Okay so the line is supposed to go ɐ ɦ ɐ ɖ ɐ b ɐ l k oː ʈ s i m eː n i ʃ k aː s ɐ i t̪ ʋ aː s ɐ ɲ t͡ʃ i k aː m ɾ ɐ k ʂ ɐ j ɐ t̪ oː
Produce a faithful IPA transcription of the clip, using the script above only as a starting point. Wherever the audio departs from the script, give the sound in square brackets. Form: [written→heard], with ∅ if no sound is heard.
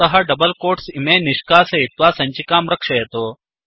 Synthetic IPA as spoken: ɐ ɦ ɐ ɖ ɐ b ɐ l k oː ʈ s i m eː n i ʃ k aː s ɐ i t̪ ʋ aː s ɐ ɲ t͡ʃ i k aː m ɾ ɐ k ʂ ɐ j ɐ t̪ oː